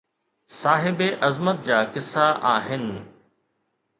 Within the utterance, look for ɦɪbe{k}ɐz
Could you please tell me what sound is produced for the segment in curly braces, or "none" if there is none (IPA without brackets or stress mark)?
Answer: ʔ